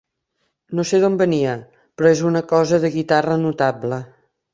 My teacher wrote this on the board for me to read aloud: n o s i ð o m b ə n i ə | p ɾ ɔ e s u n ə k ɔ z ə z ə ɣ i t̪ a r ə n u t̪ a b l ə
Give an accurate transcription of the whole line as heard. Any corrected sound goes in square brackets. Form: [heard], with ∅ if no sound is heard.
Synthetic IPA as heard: n o s [e] ð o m b ə n i ə | p ɾ ɔ e [z] u n ə k ɔ z ə [ð] ə ɣ i t̪ a r ə n u t̪ a b l ə